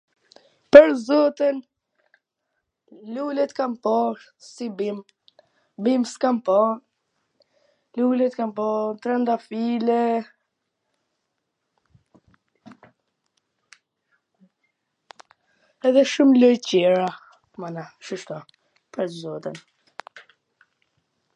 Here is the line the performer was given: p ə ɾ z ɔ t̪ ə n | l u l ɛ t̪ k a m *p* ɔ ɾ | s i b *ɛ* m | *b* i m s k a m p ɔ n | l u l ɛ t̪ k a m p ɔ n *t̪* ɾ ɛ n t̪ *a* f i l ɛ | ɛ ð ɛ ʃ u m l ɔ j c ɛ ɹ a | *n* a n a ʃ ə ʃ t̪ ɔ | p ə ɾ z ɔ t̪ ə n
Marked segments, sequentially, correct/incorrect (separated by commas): correct, incorrect, correct, correct, correct, incorrect